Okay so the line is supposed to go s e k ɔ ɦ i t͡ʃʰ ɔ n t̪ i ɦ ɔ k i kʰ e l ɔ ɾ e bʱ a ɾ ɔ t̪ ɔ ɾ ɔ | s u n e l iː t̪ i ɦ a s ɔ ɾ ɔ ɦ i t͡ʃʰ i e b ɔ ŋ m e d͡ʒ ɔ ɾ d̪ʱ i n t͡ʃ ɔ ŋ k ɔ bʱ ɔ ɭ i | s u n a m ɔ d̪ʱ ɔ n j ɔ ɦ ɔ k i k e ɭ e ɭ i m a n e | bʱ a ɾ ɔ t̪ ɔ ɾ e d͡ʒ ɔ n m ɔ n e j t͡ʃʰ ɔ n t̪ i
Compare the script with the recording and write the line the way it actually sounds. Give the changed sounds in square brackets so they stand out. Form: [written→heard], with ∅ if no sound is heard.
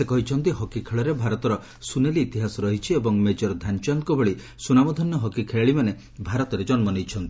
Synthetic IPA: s e k ɔ ɦ i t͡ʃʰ ɔ n t̪ i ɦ ɔ k i kʰ e [l→ɭ] ɔ ɾ e bʱ a ɾ ɔ t̪ ɔ ɾ ɔ | s u n e l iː t̪ i ɦ a s ɔ ɾ ɔ ɦ i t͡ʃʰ i e b ɔ ŋ m e d͡ʒ ɔ ɾ d̪ʱ [i→a] n t͡ʃ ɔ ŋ k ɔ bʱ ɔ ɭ i | s u n a m ɔ d̪ʱ ɔ n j ɔ ɦ ɔ k i [k→kʰ] e ɭ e ɭ i m a n e | bʱ a ɾ ɔ t̪ ɔ ɾ e d͡ʒ ɔ n m ɔ n e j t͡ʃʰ ɔ n t̪ i